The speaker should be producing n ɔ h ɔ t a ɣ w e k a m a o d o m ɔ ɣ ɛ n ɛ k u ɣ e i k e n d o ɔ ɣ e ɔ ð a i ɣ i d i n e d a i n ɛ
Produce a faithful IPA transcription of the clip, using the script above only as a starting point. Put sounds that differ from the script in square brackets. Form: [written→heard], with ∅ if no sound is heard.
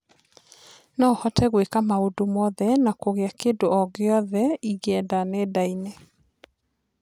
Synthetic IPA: n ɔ h ɔ t [a→ɛ] ɣ w e k a m a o d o m ɔ [ɣ→ð] ɛ n [ɛ→a] k [u→o] ɣ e [i→a] k e n d o ɔ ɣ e ɔ ð [a→ɛ] i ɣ [i→ɛ] d [i→a] n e d a i n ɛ

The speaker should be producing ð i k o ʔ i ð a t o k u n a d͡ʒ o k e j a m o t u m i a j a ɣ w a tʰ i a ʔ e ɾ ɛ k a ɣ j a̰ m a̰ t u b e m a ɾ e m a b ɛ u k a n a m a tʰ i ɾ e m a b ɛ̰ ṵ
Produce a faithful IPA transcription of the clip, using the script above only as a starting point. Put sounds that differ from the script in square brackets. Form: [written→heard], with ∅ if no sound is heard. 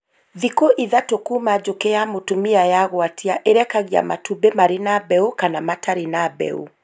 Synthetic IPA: ð i k o ʔ i ð a t o k u [n→m] a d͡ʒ o k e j a m o t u m i a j a ɣ w a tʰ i a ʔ e ɾ ɛ k a ɣ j a̰ m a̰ t u b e m a ɾ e [m→n] a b ɛ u k a n a m a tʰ [i→a] ɾ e [m→n] a b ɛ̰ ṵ

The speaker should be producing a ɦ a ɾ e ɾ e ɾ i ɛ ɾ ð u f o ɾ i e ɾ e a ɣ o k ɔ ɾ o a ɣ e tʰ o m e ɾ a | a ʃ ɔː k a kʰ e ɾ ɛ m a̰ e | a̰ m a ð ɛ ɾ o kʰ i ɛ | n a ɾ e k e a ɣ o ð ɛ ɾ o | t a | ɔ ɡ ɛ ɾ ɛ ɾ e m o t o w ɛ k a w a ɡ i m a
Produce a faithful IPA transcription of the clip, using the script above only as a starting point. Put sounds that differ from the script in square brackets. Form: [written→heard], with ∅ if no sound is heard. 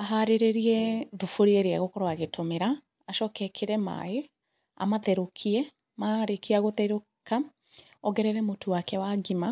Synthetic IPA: a ɦ a ɾ e ɾ e ɾ i ɛ [ɾ→∅] ð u f o ɾ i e ɾ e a ɣ o k ɔ ɾ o a ɣ e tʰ o m e ɾ a | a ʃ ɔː k [a→ɛ] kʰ e ɾ ɛ m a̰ e | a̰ m a ð ɛ ɾ o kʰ i ɛ | [n→m] a ɾ e k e a ɣ o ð ɛ ɾ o | [t→k] a | ɔ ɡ ɛ ɾ ɛ ɾ [e→ɛ] m o t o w [ɛ→a] k [a→ɛ] w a ɡ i m a

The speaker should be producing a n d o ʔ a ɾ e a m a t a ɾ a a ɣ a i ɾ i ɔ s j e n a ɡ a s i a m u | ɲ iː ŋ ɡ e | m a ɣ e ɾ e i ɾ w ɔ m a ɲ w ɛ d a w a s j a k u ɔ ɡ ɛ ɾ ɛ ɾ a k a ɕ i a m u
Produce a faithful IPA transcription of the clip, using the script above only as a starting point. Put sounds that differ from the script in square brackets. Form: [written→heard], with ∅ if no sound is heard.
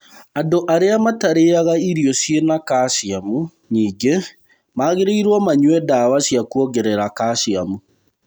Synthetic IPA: a n d o ʔ a ɾ e a m a t a ɾ [a→e] a ɣ a i ɾ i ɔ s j e n a [ɡ→k] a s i a m u | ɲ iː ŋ ɡ e | m a ɣ e ɾ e i ɾ w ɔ m a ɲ w ɛ d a w a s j a k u ɔ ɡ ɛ ɾ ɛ ɾ a k a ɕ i a m u

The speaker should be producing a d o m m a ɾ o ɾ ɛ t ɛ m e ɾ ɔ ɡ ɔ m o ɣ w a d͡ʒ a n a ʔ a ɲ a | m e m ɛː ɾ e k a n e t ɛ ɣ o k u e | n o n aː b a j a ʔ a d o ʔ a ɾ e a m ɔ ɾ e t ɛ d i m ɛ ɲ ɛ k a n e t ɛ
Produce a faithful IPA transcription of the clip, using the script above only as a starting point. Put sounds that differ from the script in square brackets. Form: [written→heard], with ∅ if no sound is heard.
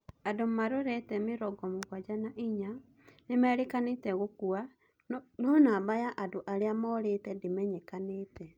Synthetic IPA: a d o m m a ɾ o ɾ ɛ t ɛ m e ɾ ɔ ɡ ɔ m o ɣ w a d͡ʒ a n a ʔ [a→i] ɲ a | [m→n] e m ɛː ɾ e k a n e t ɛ ɣ o k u [e→a] | n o n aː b a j a ʔ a d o ʔ a ɾ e a m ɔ ɾ e t ɛ d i m ɛ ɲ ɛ k a n e t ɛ

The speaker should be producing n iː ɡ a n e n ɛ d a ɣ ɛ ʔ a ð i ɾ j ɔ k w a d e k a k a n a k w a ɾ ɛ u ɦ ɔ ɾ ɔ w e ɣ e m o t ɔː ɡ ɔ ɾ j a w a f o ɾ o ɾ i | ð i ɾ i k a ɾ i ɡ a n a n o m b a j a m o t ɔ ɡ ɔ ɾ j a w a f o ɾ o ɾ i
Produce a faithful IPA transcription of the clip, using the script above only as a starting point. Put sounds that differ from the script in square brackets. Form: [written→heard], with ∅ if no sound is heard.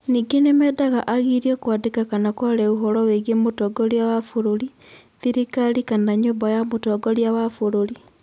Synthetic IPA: n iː ɡ [a→e] n e [n→m] ɛ d a ɣ [ɛ→a] ʔ a [ð→ɣ] i ɾ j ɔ k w a d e k a k a n a k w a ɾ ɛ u ɦ ɔ ɾ ɔ w e ɣ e m o t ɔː ɡ ɔ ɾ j a w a f o ɾ o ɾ i | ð i ɾ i k a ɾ i [ɡ→k] a n a [n→ɲ] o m b a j a m o t ɔ ɡ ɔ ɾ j a w a f o ɾ o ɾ i

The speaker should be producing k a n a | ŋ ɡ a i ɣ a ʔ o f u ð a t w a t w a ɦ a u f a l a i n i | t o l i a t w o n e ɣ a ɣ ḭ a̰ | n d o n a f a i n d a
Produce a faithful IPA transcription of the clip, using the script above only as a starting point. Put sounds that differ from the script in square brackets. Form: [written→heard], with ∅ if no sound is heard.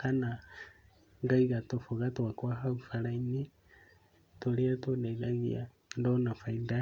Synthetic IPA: k a n a | ŋ ɡ a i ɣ a [ʔ→t] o f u [ð→ɣ] a t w a [t→k] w a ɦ a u f a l a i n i | t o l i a t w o n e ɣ a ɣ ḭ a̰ | n d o n a f a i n d a

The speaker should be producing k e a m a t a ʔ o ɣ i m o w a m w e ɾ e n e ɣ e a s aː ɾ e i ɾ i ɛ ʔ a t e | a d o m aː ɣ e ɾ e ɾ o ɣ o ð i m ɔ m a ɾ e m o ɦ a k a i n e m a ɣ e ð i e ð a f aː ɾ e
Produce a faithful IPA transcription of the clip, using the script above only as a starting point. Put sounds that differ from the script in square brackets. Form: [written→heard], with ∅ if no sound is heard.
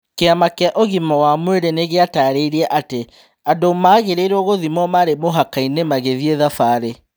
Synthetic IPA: k e a m a [t→k] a ʔ o ɣ i m [o→ɔ] w a m w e ɾ e n e ɣ e a [s→t] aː ɾ e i ɾ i ɛ ʔ a t e | a d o m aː ɣ e ɾ e ɾ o ɣ o ð i m ɔ m a ɾ e m o ɦ a k a i n e m a ɣ e ð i e ð a f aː ɾ e

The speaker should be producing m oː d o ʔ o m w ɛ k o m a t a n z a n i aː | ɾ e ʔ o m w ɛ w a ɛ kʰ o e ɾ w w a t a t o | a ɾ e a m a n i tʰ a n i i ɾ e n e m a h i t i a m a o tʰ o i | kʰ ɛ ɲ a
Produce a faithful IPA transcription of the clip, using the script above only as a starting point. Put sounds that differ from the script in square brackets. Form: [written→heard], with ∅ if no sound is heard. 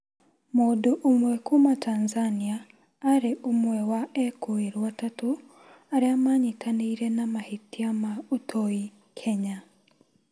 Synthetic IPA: m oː d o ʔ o m w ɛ k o m a t a n z a n i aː | ɾ e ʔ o m w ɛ w a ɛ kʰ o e ɾ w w a t a t o | a ɾ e a m a [n→ɲ] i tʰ a n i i ɾ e n [e→a] m a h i t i a m a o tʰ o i | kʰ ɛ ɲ a

